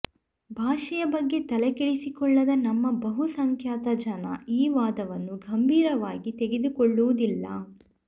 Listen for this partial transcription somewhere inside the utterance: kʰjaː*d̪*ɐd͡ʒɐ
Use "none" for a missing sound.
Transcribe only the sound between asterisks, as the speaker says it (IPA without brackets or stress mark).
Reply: t̪